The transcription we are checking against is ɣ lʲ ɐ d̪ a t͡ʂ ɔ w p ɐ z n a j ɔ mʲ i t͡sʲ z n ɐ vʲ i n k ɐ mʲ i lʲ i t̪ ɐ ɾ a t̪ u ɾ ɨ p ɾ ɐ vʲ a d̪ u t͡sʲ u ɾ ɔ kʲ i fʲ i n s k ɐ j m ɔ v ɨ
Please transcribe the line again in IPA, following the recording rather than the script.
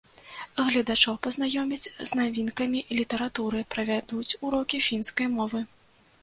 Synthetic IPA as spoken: ɣ lʲ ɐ d̪ a t͡ʂ ɔ w p ɐ z n a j ɔ mʲ i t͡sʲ z n a vʲ i n k ɐ mʲ i lʲ i t̪ ɐ ɾ a t̪ u ɾ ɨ p ɾ ɐ vʲ a d̪ u t͡sʲ u ɾ ɔ kʲ i fʲ i n s k ɐ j m ɔ v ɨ